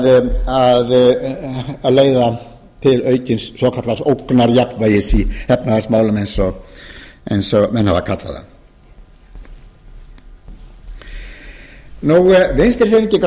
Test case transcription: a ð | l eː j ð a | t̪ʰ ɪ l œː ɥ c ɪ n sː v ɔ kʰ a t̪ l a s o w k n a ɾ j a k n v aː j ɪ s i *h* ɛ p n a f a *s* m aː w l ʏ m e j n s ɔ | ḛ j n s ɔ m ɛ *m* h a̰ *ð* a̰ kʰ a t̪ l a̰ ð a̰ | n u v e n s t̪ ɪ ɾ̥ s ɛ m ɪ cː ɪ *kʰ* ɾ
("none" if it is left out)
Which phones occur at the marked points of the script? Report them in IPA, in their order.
h, s, n, v, k

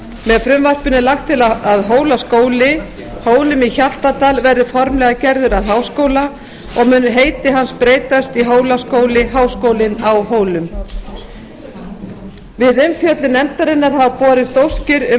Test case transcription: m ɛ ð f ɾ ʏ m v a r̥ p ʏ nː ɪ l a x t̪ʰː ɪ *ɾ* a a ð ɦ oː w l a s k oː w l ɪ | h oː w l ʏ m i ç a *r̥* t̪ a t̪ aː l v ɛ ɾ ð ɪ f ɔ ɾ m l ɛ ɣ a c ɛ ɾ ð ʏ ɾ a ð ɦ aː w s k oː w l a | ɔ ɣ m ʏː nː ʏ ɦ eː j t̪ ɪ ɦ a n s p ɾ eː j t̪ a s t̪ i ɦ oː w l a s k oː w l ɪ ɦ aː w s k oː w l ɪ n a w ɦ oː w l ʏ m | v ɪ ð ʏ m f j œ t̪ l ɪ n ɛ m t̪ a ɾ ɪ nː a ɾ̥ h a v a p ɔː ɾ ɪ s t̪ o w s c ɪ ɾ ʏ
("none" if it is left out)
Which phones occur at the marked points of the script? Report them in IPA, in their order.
l, l̥

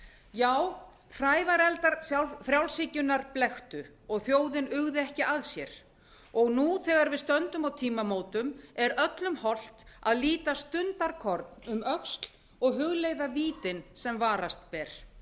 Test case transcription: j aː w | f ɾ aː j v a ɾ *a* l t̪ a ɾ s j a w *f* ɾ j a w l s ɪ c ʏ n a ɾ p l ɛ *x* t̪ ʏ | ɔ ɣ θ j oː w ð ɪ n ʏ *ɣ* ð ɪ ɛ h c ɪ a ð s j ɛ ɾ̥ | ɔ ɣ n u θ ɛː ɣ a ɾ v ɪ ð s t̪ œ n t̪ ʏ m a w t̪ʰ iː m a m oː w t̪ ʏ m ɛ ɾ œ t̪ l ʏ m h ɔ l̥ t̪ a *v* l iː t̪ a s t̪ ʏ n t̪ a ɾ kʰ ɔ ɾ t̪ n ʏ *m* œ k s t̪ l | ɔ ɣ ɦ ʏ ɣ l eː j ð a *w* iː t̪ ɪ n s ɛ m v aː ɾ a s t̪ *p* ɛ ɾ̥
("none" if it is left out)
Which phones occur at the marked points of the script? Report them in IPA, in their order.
ɛ, f, x, ɣ, ð, m, v, p

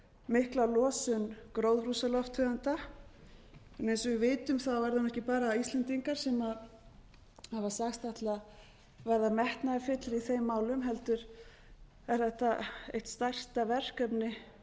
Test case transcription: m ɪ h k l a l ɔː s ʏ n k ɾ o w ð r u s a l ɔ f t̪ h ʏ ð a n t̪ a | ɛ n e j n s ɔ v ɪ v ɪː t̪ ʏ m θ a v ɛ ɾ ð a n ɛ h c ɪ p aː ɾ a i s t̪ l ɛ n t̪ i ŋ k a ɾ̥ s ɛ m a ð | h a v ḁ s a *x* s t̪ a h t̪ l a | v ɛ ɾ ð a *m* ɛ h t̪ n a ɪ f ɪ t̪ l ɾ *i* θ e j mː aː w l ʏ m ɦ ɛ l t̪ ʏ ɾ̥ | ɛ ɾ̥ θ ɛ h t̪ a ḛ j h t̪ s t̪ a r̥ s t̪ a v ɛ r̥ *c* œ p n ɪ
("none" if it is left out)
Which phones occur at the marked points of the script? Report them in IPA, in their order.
x, m, i, k

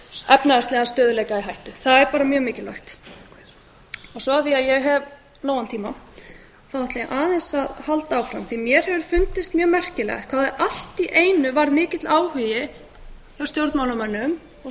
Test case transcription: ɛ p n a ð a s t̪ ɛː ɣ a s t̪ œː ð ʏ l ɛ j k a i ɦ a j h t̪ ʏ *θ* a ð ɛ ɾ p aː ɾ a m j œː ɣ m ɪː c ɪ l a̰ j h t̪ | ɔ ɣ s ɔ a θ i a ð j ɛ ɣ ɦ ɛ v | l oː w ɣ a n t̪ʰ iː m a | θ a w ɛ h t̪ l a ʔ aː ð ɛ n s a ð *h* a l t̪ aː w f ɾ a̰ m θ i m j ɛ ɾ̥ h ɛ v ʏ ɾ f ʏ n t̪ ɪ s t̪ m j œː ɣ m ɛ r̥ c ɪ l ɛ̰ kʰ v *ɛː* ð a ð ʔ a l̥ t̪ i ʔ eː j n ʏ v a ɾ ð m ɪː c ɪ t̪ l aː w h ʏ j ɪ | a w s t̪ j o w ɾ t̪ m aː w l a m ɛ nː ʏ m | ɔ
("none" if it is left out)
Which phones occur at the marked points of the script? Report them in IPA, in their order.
θ, h, aː

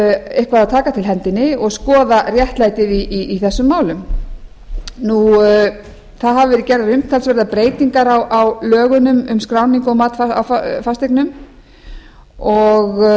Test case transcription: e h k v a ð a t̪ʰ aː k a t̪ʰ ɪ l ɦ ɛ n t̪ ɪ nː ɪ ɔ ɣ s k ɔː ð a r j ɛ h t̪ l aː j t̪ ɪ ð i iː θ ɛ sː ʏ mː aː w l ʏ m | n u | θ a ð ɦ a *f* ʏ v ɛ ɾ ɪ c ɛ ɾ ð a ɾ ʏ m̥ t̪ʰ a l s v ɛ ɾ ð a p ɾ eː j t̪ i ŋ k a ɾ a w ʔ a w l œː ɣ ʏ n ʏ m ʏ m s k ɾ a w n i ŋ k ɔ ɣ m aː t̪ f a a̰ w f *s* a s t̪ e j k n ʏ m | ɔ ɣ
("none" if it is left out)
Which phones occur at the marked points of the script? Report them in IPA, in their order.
v, f

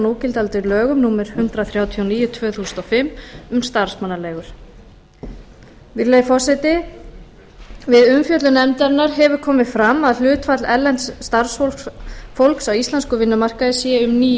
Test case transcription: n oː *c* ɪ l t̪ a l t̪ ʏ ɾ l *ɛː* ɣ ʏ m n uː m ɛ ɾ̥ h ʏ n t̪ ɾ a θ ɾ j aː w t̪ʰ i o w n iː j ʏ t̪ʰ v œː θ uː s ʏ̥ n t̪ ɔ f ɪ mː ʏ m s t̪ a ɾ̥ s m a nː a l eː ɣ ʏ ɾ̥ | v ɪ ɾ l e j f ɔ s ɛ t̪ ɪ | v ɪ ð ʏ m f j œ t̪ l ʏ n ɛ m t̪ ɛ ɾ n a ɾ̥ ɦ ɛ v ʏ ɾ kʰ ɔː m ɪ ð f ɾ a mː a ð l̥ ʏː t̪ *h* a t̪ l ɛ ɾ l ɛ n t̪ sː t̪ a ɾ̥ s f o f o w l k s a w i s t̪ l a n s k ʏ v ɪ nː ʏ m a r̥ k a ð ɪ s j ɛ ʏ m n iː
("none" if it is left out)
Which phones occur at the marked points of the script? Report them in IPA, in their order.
c, œː, f

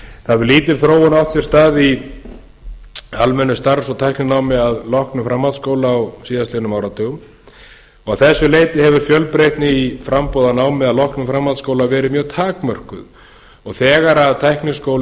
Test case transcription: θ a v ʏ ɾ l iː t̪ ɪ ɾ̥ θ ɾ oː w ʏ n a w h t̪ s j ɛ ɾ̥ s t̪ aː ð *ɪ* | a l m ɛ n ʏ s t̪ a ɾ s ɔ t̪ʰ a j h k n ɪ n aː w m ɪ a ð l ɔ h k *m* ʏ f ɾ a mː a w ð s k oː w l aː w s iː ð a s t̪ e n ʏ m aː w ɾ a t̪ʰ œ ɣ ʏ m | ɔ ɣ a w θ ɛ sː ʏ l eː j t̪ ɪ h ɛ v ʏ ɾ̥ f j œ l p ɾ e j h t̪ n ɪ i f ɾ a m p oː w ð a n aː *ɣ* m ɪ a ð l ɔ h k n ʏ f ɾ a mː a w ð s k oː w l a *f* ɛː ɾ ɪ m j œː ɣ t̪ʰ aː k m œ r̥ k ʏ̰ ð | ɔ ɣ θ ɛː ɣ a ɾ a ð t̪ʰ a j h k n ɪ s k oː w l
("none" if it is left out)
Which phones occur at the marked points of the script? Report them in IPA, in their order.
i, n, w, v

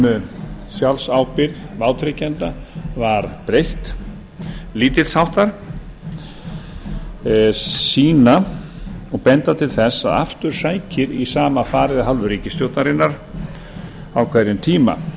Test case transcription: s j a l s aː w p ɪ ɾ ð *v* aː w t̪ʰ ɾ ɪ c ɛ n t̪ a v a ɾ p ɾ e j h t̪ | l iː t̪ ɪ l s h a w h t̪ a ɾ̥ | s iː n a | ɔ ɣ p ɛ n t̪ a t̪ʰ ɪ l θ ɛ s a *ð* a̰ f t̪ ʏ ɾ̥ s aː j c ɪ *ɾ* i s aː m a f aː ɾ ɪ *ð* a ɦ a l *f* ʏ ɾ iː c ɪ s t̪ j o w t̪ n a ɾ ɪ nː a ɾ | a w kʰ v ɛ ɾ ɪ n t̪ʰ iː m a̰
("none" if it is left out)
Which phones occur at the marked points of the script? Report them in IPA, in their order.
v, ð, ɾ, ð, v

